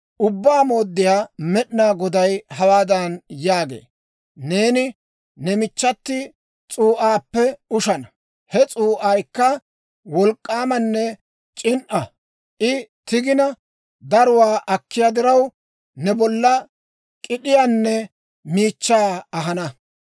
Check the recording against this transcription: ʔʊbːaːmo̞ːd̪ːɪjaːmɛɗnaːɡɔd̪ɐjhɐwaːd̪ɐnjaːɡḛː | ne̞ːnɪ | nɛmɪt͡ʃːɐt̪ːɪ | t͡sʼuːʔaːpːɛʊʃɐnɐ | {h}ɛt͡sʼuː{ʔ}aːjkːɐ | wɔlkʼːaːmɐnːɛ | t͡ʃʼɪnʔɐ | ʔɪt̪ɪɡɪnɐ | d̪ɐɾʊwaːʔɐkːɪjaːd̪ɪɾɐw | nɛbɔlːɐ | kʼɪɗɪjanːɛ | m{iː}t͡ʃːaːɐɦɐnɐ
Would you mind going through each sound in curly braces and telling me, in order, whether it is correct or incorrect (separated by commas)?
correct, correct, correct